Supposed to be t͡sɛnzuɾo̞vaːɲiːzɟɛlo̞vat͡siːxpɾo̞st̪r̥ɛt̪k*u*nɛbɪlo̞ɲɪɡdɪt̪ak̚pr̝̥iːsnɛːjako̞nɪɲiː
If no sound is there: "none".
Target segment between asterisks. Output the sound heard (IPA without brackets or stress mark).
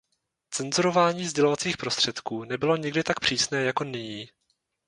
uː